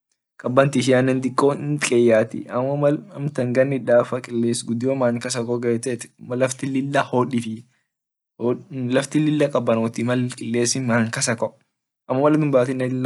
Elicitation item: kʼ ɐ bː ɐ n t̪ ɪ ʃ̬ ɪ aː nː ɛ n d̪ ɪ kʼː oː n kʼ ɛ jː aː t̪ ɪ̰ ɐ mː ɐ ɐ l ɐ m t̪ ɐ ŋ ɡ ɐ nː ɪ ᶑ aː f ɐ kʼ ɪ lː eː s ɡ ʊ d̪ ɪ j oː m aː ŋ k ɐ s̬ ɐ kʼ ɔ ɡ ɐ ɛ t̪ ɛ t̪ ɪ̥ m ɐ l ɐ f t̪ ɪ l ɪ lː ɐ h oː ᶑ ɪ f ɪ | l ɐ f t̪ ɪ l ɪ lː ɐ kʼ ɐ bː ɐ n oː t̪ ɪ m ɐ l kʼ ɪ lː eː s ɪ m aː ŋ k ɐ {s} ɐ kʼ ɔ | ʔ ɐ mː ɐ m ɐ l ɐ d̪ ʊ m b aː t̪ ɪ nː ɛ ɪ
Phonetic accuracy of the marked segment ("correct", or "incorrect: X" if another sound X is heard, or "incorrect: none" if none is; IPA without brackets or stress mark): correct